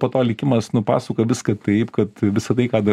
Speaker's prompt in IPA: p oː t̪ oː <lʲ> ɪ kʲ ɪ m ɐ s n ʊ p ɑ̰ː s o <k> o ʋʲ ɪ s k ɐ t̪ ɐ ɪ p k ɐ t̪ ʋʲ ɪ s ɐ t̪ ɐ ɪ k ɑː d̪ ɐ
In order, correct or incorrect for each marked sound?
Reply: correct, correct

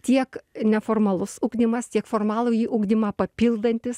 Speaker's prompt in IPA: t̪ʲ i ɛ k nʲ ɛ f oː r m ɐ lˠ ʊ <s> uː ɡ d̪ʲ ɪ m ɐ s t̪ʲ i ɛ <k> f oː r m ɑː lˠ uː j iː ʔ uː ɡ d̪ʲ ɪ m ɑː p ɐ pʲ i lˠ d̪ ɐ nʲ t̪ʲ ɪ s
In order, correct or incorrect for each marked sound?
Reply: correct, correct

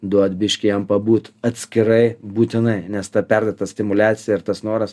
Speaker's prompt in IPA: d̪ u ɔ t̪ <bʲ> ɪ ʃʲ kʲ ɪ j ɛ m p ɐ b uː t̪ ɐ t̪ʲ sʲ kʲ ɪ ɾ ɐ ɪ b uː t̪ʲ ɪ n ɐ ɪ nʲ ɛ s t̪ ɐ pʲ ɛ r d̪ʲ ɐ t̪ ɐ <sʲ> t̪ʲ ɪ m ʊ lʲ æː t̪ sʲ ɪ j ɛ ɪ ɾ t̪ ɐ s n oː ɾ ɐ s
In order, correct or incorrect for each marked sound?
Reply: correct, correct

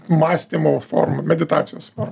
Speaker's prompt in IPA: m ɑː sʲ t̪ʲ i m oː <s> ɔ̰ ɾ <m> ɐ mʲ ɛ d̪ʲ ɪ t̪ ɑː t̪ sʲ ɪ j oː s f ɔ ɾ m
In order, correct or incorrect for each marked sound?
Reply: incorrect: f, correct

